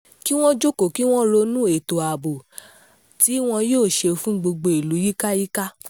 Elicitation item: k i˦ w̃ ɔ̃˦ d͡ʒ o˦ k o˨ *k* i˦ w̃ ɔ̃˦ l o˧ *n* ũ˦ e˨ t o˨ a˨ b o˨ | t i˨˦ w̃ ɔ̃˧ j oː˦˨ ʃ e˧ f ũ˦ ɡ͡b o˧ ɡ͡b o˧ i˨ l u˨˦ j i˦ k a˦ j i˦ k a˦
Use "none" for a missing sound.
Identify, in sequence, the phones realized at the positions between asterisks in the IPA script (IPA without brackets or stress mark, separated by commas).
k, n